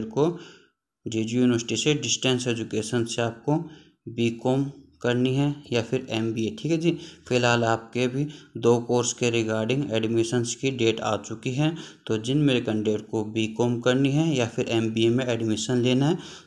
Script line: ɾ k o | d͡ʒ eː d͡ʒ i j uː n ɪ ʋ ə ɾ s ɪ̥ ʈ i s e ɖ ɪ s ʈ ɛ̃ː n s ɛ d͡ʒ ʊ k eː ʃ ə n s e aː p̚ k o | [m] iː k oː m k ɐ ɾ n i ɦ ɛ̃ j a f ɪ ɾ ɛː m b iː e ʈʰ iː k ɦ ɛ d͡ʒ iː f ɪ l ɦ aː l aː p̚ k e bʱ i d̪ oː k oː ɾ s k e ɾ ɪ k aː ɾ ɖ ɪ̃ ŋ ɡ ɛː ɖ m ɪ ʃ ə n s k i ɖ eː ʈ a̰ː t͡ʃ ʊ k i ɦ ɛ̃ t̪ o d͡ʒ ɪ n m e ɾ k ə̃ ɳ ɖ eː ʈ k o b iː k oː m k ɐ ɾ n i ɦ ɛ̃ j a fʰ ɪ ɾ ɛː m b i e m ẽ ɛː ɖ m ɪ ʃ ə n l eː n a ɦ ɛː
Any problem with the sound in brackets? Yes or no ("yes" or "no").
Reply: yes